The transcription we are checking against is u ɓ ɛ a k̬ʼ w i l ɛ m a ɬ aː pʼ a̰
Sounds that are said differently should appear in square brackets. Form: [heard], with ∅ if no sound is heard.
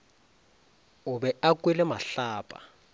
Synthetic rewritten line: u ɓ ɛ a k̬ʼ w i l ɛ m a ɬ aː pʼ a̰